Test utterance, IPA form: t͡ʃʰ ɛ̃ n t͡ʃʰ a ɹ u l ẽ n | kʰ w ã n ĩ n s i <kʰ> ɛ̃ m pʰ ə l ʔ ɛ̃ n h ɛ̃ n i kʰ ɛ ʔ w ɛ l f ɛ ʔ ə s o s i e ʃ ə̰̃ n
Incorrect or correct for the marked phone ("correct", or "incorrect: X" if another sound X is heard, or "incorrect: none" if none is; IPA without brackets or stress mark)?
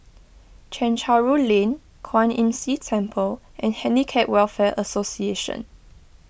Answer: incorrect: tʰ